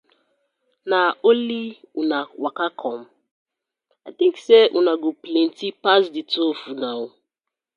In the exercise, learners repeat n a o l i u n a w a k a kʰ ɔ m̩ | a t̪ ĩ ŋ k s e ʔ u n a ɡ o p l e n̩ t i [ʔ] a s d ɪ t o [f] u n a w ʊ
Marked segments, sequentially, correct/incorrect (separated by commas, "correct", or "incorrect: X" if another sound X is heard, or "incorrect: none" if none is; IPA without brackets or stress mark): incorrect: p, correct